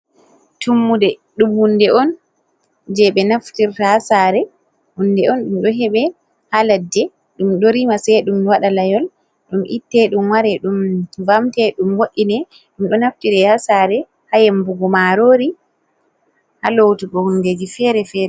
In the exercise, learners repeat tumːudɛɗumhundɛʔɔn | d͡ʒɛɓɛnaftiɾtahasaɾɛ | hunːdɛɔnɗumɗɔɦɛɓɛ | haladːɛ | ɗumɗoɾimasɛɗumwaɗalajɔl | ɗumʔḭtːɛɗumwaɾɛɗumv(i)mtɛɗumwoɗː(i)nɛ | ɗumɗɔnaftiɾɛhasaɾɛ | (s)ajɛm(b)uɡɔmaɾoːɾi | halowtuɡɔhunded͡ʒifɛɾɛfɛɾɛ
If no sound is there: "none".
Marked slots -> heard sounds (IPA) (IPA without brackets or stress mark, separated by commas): a, i, h, b